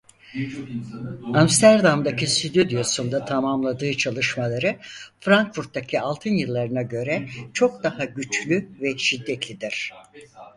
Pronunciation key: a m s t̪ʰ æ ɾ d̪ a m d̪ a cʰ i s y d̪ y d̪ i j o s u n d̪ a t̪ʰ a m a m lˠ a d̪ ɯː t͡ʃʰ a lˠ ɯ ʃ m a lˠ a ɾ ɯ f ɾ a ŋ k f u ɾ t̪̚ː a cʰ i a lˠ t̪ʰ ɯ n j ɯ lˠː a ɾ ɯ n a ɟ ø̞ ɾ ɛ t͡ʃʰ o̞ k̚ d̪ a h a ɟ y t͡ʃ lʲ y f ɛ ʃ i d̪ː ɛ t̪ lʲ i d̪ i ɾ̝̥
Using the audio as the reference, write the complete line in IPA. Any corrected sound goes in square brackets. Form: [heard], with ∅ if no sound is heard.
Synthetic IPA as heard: a m s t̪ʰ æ ɾ d̪ a m d̪ a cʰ i s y d̪ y d̪ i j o s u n d̪ a t̪ʰ a m a m lˠ a d̪ ɯː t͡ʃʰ a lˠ ɯ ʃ m a lˠ a ɾ ɯ f ɾ a ŋ k f u ɾ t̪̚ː a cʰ i a lˠ t̪ʰ ɯ n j ɯ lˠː a ɾ ɯ n a ɟ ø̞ ɾ ɛ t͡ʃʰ o̞ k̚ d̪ a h a ɟ y t͡ʃ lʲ y [v] ɛ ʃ i d̪ː ɛ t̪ lʲ i d̪ i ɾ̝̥